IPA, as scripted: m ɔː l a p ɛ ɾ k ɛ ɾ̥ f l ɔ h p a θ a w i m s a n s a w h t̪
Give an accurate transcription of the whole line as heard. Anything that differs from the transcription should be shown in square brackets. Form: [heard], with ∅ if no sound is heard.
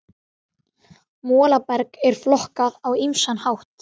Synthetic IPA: m ɔː l a p ɛ ɾ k ɛ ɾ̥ f l ɔ h [k] a [ð] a w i m s a n [h] a w h t̪